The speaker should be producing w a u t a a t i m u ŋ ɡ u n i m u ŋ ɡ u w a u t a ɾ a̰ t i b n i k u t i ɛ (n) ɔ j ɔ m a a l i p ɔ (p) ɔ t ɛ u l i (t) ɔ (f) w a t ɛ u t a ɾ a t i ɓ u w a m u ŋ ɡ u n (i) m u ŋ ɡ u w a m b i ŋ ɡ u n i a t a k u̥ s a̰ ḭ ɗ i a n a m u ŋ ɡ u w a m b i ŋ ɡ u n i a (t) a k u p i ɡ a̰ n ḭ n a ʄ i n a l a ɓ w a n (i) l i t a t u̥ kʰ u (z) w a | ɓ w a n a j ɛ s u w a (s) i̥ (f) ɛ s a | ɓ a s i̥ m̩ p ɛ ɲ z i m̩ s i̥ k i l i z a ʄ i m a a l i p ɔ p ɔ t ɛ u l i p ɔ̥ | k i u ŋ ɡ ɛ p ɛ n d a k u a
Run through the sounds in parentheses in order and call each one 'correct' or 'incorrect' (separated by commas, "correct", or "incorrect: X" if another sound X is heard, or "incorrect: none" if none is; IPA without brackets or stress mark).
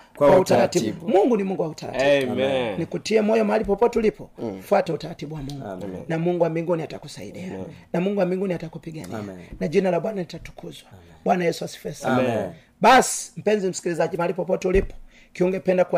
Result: incorrect: m, correct, incorrect: p, correct, incorrect: a, correct, incorrect: a, correct, correct, correct